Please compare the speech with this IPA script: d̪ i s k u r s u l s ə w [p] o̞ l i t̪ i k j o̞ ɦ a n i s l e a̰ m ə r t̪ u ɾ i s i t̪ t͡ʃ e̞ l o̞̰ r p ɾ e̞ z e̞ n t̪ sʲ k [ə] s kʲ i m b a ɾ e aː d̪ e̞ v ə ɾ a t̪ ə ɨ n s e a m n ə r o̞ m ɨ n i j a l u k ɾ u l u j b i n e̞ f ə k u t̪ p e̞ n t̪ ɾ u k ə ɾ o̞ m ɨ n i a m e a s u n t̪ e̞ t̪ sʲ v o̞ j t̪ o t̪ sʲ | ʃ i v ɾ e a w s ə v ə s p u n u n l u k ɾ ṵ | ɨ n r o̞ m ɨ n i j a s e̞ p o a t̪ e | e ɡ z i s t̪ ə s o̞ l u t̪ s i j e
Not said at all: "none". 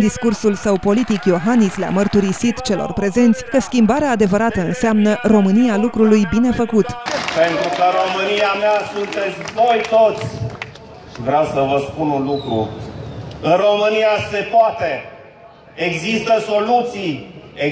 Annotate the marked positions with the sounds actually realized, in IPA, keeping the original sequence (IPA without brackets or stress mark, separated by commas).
p, ə